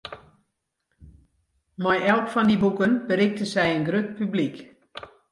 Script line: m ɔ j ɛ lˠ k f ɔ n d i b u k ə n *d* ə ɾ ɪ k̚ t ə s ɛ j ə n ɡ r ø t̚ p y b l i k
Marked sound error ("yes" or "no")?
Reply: yes